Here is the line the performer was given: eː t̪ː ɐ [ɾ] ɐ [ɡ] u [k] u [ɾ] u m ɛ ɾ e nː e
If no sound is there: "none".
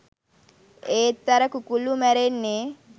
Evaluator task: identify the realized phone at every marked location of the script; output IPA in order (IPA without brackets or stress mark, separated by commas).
ɾ, k, k, l